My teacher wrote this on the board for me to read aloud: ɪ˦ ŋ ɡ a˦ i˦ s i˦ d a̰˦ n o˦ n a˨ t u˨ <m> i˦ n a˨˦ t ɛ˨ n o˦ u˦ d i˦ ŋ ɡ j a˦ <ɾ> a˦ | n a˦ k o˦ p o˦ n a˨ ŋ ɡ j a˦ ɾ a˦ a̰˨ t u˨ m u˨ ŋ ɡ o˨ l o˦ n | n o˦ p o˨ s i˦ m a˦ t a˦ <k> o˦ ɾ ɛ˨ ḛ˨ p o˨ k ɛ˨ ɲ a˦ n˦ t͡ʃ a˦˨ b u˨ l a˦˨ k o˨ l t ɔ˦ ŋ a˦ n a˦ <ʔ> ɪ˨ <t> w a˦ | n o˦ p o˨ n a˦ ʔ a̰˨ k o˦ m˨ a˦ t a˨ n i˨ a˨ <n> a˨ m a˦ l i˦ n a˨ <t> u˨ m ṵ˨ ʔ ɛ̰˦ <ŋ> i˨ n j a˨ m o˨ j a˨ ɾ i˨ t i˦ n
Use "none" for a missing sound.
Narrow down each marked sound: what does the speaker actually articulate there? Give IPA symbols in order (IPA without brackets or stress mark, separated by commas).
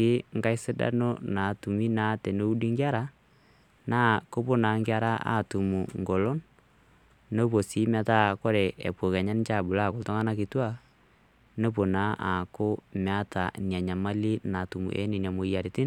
m, ɾ, k, k, t, ɲ, t, n